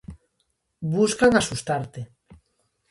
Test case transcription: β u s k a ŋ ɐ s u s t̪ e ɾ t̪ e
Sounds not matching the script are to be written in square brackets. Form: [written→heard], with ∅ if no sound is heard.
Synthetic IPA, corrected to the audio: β u s k a ŋ [ɐ→a] s u s t̪ [e→a] ɾ t̪ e